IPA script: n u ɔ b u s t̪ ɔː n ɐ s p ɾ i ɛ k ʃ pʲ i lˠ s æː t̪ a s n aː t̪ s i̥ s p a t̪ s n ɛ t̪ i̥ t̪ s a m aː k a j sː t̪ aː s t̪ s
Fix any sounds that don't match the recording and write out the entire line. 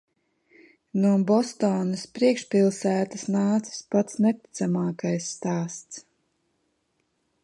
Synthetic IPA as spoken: n u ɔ b ɔ s t̪ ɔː n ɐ s p ɾ i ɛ k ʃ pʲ i lˠ s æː t̪ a s n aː t̪ s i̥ s p a t̪ s n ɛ t̪ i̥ t̪ s a m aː k a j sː t̪ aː s t̪ s